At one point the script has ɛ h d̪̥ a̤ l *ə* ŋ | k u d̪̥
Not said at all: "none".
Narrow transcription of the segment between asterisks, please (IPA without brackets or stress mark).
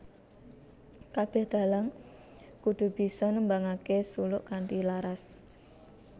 a